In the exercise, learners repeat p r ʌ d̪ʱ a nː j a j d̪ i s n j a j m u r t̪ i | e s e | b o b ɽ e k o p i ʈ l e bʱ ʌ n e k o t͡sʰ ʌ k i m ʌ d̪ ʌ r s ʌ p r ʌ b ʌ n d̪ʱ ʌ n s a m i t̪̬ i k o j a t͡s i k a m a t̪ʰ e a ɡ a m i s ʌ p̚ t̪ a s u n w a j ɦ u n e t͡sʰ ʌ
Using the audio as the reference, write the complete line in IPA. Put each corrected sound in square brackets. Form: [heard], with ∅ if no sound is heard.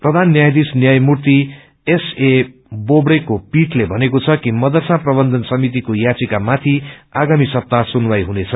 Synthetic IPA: p r ʌ d̪ʱ a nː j a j d̪ i s n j a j m u r t̪ i | e s e | b o b ɽ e k o p i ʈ l e bʱ ʌ n e k o t͡sʰ ʌ k i m ʌ d̪ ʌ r s [a] p r ʌ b ʌ n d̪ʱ ʌ n s [ʌ] m i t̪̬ i k o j a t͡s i k a m a t̪ʰ [i] a ɡ a m i s ʌ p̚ t̪ a s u n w a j ɦ u n e t͡sʰ ʌ